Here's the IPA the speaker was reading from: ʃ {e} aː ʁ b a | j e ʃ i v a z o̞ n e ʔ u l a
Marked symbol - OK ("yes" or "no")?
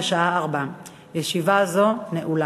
no